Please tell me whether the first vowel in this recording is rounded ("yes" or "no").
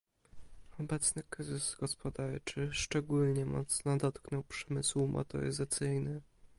yes